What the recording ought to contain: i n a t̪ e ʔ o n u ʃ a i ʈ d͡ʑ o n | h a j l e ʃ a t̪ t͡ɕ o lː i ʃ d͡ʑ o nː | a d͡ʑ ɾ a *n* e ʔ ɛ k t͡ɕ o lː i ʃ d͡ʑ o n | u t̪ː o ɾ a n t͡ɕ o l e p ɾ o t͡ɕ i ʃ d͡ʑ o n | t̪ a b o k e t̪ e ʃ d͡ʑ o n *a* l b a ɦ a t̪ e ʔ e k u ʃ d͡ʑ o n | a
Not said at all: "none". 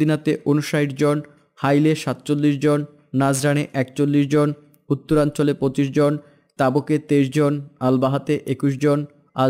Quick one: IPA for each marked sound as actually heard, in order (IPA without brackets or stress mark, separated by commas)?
n, a